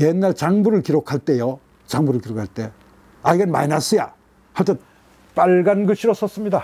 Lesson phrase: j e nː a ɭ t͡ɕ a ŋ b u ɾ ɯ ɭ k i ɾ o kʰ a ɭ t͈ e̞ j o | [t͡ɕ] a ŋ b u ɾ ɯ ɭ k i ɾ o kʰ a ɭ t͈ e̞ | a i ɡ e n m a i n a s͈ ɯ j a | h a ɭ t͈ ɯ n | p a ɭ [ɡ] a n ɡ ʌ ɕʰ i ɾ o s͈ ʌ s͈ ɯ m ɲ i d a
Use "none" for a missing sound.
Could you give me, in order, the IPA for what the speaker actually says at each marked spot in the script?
t͡ɕ, ɡ

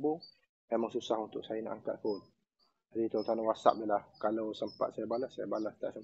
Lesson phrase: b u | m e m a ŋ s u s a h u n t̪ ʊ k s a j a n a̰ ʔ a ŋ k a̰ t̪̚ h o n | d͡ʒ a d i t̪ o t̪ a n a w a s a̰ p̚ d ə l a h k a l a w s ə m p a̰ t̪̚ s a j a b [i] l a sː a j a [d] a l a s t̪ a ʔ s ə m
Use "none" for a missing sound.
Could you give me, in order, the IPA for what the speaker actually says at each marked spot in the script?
a, b

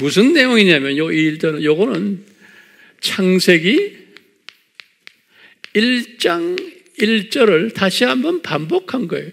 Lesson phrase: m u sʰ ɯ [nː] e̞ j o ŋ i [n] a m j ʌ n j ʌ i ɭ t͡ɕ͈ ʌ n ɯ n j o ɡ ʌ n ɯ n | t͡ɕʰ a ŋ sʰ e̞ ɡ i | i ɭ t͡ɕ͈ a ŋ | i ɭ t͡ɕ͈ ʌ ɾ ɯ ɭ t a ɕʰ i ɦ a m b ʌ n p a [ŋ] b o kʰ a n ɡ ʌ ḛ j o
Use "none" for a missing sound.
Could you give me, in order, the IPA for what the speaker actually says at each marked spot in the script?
nː, ɲ, m

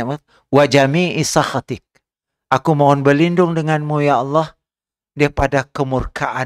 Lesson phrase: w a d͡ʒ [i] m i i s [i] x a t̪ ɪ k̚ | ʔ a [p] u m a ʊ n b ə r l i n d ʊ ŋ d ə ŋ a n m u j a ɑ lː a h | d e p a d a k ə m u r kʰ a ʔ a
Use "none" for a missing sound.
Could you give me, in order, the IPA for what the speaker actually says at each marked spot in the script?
a, a, k

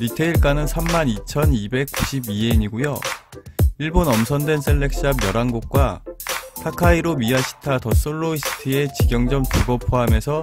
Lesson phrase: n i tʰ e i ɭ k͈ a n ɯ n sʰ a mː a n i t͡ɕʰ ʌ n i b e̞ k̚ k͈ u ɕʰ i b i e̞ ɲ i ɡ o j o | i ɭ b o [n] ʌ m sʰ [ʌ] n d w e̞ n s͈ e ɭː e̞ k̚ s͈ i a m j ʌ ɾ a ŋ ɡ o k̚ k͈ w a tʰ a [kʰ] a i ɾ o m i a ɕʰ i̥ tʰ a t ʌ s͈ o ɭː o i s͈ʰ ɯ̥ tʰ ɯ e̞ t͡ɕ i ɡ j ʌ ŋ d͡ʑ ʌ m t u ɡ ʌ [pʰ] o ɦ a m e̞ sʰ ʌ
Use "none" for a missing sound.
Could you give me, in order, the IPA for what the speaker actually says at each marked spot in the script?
n, ʌ, kʰ, pʰ

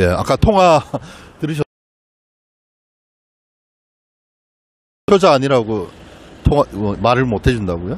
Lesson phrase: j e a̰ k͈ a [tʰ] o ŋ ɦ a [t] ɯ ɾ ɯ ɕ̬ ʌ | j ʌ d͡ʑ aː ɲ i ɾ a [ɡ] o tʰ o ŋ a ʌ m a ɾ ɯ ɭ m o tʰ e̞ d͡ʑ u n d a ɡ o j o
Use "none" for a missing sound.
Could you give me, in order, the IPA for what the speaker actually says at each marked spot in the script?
tʰ, t, ɡ

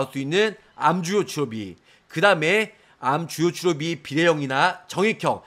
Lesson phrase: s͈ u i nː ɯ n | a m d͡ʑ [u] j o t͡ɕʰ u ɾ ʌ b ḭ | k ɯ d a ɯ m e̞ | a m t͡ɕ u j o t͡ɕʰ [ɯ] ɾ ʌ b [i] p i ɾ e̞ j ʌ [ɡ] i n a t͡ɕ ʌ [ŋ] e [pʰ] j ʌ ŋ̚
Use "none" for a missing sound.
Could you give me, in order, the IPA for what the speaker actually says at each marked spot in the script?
u, u, i, ŋ, ŋ, kʰ

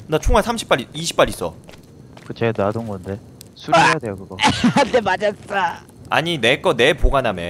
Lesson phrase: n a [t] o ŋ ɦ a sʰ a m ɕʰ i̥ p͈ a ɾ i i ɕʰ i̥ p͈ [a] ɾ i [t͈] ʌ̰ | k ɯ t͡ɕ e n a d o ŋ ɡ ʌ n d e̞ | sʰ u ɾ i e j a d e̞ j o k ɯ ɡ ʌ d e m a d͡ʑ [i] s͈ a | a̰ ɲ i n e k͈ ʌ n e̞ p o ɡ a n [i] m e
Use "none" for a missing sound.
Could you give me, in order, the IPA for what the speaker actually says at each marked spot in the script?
t͡ɕʰ, a, s͈, a, a

